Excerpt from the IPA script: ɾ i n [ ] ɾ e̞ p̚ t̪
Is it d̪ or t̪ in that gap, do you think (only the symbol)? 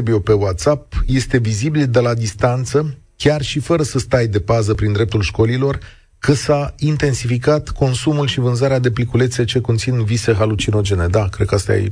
d̪